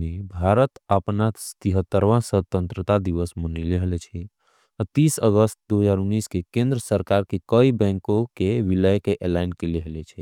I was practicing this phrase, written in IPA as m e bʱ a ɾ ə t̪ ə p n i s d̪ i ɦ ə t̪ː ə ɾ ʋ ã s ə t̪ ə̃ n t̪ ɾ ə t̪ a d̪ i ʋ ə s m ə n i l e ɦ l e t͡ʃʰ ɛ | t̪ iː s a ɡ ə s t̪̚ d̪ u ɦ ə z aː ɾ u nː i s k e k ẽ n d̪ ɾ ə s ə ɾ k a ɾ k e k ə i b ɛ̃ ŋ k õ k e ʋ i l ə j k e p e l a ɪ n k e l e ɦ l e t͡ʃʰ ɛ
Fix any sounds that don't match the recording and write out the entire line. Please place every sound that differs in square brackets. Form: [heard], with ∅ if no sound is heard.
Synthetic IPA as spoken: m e bʱ a ɾ ə t̪ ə p n [a] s [t̪] i ɦ ə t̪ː ə ɾ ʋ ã s ə t̪ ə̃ n t̪ ɾ ə t̪ a d̪ i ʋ ə s m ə n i l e ɦ l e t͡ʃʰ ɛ | t̪ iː s [ə] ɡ ə s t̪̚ d̪ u ɦ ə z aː ɾ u nː i s k e k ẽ n d̪ ɾ ə s ə ɾ k a ɾ k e k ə i b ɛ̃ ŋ k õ k e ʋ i l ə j k e [ʔ] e l a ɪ n k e l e ɦ l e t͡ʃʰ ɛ